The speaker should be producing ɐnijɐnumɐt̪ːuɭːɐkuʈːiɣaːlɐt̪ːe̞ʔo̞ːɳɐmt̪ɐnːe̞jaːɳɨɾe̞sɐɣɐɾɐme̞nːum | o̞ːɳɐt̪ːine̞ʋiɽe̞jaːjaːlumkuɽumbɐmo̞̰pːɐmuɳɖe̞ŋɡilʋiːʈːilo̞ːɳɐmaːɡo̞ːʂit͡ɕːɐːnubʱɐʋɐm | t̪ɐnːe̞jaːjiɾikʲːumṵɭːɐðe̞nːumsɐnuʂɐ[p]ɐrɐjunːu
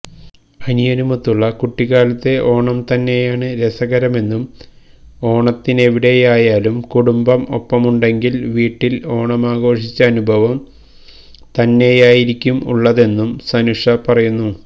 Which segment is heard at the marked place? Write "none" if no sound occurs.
p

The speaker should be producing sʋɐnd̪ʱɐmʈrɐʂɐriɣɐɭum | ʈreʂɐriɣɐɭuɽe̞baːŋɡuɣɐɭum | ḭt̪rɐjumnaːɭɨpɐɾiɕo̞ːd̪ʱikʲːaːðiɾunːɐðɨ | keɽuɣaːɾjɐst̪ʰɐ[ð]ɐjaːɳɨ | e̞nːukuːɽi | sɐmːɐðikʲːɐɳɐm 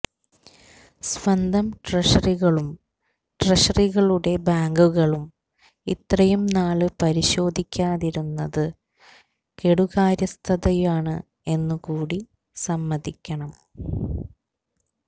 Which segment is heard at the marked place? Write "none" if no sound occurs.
ð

